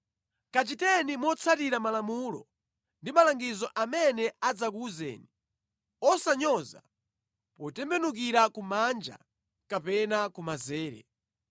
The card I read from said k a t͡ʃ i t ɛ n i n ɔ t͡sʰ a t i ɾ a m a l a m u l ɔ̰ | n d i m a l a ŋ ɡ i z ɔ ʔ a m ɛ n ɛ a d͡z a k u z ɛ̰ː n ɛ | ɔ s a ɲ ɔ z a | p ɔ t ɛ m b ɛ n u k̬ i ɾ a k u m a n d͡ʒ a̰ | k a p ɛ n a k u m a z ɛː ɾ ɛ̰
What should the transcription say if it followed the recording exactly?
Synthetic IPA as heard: k a t͡ʃ i t ɛ n i m ɔ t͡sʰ a t i ɾ a m a l a m u l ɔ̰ | n d i m a l a ŋ ɡ i z ɔ ʔ a m ɛ n ɛ a d͡z a k u z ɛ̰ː n i | ɔ s a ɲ ɔ z a | p ɔ t ɛ m b ɛ n u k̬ i ɾ a k u m a n d͡ʒ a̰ | k a p ɛ n a k u m a z ɛː ɾ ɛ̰